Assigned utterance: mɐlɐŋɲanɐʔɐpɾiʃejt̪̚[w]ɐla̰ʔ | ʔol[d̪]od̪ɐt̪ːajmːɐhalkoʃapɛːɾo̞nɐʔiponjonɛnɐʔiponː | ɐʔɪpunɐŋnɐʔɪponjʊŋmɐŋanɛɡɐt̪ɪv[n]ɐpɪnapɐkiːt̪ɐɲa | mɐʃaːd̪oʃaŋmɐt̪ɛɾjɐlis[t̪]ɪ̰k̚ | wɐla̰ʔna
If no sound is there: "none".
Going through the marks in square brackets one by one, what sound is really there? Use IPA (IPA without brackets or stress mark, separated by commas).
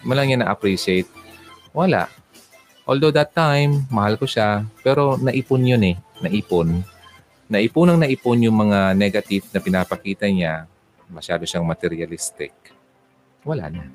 w, d̪, n, t̪